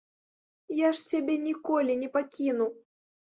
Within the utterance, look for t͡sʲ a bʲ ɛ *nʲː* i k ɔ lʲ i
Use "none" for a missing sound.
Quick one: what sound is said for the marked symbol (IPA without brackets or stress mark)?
nʲ